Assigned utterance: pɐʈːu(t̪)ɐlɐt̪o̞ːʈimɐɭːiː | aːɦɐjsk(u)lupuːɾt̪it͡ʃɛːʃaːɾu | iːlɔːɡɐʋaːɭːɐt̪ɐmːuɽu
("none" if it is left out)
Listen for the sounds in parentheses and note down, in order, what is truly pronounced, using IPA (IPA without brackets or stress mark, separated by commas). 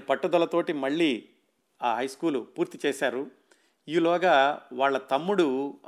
d̪, uː